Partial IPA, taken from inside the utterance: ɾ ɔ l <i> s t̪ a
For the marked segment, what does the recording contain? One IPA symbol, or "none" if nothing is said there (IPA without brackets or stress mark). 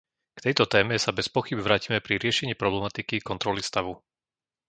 i